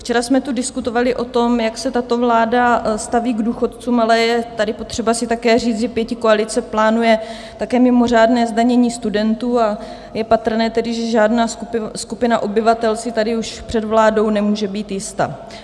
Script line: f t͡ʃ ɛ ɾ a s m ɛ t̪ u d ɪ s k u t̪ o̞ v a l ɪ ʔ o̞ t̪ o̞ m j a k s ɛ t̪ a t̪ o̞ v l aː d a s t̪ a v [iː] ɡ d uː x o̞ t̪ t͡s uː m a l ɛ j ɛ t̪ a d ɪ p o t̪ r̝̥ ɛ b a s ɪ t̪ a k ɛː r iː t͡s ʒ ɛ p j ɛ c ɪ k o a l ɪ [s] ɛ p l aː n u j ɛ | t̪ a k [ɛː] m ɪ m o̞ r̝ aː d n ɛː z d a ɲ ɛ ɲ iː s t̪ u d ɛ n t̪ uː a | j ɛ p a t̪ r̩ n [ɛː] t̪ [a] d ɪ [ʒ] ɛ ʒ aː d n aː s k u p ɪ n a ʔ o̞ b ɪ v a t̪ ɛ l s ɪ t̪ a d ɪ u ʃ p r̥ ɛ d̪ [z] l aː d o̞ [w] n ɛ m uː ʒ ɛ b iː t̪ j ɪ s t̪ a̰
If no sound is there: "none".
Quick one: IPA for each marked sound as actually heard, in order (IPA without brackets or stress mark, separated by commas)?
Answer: iː, t͡s, ɛː, ɛː, ɛ, ʒ, v, w